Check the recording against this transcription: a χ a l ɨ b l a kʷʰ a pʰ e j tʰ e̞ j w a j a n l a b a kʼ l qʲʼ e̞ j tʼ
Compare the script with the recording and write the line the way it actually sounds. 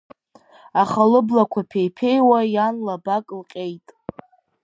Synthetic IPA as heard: a χ a l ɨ b l a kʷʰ a pʰ e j pʰ e̞ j w a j a n l a b a kʼ l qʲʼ e̞ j tʼ